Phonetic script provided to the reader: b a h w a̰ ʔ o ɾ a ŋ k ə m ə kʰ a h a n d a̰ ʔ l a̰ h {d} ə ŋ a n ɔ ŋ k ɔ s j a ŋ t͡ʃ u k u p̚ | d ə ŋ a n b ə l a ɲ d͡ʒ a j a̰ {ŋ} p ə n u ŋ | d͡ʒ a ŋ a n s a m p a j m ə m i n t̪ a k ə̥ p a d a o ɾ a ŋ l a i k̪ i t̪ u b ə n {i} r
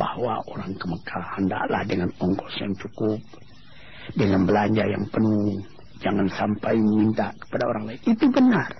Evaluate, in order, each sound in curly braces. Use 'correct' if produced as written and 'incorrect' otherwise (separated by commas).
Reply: correct, correct, incorrect